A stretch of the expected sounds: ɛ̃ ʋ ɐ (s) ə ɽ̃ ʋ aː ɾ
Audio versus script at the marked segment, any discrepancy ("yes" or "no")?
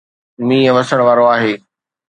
no